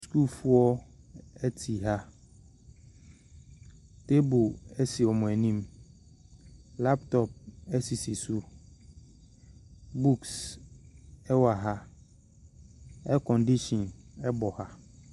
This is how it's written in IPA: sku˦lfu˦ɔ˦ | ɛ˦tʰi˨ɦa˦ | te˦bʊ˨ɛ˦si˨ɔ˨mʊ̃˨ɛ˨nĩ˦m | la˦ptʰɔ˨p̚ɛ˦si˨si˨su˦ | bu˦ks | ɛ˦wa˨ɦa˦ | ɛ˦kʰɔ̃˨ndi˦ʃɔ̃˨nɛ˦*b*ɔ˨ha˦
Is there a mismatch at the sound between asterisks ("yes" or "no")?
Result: no